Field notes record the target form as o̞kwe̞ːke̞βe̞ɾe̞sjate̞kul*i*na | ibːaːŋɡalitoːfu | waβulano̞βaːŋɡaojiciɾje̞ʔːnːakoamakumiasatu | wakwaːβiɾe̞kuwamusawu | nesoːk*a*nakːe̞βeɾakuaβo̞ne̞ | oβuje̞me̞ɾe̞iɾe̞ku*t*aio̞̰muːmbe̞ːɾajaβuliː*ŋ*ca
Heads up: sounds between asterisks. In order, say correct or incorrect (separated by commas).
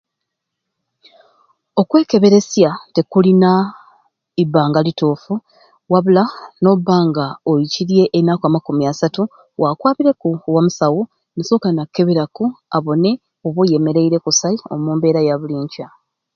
correct, correct, incorrect, incorrect